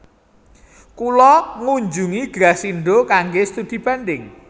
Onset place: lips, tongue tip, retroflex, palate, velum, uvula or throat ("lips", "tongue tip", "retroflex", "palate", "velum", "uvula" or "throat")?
velum